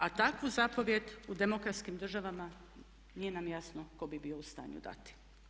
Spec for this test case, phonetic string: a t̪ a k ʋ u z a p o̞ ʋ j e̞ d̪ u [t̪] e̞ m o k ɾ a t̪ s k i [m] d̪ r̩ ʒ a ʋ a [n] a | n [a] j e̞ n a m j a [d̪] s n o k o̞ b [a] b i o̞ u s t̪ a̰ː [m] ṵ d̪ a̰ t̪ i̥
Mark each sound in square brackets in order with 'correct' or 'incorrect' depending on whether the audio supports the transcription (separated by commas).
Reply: incorrect, correct, incorrect, incorrect, incorrect, incorrect, incorrect